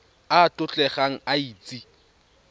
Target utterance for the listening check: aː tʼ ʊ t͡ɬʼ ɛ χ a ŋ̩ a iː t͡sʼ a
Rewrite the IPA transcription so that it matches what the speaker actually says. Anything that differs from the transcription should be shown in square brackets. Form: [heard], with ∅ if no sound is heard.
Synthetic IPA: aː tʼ ʊ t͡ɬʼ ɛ χ a ŋ̩ a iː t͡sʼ [i]